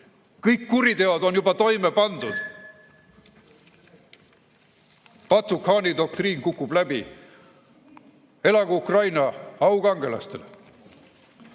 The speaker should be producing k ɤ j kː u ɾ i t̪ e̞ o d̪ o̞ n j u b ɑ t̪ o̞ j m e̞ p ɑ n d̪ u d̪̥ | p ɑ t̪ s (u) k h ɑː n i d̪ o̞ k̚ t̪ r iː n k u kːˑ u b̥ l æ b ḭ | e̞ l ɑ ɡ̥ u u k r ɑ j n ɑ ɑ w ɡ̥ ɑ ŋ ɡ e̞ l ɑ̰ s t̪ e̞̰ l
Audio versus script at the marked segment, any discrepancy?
no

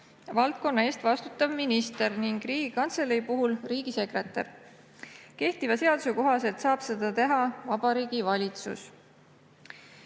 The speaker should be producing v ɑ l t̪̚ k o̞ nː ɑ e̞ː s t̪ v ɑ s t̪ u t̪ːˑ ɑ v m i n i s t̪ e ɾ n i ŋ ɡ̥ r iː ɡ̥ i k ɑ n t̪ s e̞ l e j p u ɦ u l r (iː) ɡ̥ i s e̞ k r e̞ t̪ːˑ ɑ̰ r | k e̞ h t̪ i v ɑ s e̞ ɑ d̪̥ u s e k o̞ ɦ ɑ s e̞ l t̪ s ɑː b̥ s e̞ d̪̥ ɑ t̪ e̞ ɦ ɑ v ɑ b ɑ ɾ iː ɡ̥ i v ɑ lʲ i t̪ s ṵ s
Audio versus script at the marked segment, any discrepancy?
no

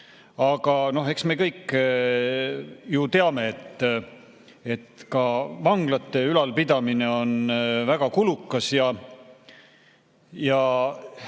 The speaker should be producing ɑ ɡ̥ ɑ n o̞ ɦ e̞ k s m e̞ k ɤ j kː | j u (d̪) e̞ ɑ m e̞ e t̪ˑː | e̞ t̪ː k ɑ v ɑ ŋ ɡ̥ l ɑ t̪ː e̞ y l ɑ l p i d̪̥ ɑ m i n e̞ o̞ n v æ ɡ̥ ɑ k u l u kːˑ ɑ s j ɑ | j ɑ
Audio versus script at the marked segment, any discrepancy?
yes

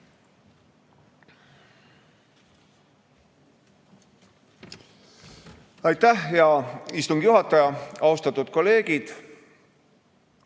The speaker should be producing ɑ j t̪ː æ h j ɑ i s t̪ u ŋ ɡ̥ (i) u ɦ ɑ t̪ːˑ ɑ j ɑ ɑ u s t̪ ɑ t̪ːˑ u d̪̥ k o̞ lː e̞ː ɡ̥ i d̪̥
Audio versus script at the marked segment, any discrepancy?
yes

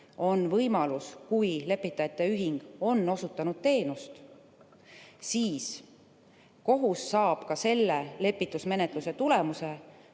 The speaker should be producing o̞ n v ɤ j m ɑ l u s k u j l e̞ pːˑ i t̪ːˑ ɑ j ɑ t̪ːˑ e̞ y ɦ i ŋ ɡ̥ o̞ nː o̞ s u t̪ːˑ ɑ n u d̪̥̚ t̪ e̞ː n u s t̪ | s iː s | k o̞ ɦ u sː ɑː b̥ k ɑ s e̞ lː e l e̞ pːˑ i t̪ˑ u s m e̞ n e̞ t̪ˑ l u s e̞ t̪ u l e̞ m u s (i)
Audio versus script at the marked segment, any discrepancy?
yes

